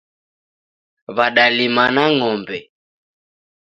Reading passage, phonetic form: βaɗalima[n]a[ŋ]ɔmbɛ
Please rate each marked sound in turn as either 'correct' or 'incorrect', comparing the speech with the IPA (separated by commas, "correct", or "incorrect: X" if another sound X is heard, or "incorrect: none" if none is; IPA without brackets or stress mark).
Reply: correct, correct